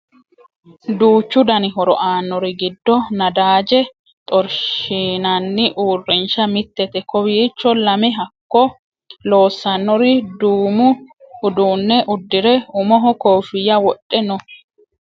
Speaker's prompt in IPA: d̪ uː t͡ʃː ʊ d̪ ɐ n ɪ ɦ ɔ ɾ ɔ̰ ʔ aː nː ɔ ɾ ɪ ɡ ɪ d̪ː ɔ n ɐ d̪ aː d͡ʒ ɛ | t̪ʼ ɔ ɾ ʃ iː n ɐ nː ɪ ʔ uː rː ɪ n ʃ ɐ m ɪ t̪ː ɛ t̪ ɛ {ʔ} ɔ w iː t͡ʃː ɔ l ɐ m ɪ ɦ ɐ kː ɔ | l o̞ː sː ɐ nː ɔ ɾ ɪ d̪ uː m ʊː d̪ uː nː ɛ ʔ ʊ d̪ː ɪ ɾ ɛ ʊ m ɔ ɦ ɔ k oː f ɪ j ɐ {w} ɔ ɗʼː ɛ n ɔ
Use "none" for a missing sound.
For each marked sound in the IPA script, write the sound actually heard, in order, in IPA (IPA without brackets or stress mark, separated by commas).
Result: k, w